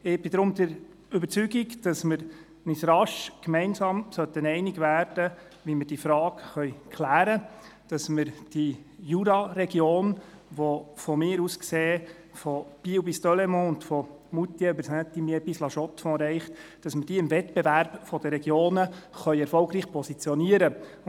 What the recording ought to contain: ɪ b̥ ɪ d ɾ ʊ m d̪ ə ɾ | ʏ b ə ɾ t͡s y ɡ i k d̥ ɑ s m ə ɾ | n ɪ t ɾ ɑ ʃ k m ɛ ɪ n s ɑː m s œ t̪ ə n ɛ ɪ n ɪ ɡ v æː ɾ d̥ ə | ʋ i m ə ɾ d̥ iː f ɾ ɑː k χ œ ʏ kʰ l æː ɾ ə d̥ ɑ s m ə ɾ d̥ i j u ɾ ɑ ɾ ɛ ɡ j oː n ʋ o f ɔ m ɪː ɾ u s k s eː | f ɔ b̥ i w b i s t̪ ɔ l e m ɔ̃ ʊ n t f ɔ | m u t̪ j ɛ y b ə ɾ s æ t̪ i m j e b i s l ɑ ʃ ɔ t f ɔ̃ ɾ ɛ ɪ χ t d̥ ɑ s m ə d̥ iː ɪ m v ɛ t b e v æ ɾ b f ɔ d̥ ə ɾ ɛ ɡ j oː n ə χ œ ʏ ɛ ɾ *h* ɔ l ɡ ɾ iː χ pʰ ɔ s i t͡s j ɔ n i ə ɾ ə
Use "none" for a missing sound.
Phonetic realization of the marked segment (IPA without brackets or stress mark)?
f